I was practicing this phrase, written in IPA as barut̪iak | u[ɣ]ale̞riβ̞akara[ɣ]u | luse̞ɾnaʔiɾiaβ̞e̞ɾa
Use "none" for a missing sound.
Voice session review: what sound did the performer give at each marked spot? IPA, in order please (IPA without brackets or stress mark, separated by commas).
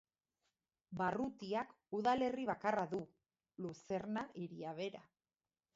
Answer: ð, ð